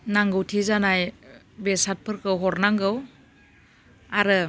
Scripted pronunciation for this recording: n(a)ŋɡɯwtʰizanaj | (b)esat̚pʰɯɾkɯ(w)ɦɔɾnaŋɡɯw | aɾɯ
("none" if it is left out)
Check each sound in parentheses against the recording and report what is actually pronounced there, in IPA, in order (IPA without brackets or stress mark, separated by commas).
a, b, w